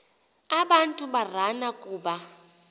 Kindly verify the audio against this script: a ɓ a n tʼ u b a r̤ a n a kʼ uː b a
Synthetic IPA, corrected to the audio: a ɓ a n tʼ u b a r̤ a n a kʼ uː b a